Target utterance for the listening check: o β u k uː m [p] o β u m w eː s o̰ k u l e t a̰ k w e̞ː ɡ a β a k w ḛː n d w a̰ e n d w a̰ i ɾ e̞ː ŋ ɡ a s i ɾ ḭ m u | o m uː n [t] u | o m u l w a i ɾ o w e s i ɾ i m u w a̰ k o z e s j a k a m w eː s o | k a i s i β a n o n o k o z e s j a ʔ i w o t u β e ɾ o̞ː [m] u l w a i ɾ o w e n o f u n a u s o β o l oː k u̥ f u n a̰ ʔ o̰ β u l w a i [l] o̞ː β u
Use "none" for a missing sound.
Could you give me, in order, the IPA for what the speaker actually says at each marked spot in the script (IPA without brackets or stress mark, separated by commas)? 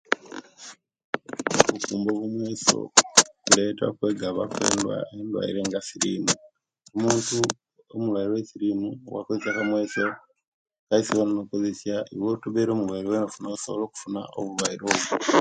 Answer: b, t, m, ɾ